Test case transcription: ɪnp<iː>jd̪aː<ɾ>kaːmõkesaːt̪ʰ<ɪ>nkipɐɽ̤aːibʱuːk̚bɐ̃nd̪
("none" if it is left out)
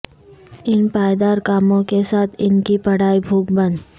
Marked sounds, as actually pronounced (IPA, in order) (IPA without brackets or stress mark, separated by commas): aː, ɾ, ɪ